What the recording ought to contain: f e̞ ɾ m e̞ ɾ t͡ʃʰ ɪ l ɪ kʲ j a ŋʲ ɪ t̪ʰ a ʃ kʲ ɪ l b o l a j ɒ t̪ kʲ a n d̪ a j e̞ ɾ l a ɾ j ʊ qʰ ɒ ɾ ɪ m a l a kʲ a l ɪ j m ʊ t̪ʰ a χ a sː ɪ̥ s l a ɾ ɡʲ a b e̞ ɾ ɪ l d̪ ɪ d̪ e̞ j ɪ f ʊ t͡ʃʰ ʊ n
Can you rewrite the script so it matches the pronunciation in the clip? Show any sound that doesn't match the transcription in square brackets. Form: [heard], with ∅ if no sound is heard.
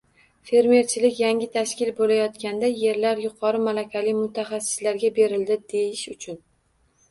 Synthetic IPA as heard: f e̞ ɾ m e̞ ɾ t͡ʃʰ ɪ l ɪ kʲ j a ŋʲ ɪ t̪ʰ a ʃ kʲ ɪ l b o l a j ɒ t̪ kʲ a n d̪ a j e̞ ɾ l a ɾ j ʊ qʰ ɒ ɾ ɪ m a l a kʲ a l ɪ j m ʊ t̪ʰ a χ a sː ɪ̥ s l a ɾ ɡʲ a b e̞ ɾ ɪ l d̪ ɪ d̪ e̞ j ɪ [ʃ] ʊ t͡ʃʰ ʊ n